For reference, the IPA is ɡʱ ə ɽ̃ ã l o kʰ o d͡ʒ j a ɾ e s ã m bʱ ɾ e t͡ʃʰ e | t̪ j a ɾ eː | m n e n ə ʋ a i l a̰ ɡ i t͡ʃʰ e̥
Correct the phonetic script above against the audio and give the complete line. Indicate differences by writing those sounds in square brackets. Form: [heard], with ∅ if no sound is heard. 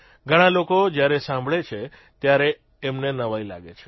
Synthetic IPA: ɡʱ ə ɽ̃ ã l o [k] o d͡ʒ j a ɾ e s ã m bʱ [ɭ] e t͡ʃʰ e | t̪ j a ɾ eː | m n e n ə ʋ a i l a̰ ɡ [e] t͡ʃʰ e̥